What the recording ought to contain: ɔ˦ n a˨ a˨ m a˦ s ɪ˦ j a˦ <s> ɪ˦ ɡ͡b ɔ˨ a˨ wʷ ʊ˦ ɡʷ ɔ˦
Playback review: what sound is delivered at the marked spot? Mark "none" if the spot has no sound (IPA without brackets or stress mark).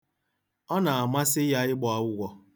none